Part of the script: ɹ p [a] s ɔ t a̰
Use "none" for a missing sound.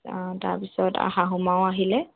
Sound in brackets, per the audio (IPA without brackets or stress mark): i